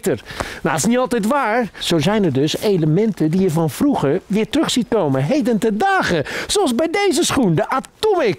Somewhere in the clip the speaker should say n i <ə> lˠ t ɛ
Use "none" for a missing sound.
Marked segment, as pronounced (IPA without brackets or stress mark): ɑ